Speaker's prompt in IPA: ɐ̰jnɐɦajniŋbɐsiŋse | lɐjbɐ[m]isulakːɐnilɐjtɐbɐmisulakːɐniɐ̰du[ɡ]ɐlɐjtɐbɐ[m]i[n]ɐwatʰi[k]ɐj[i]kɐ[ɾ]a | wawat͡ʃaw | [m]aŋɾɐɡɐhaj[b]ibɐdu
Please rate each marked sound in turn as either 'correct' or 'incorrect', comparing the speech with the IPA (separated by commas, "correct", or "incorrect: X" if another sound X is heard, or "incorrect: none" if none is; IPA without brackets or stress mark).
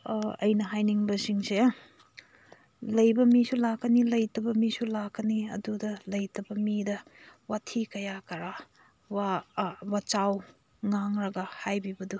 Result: correct, incorrect: d, correct, incorrect: d, correct, incorrect: a, correct, incorrect: ŋ, correct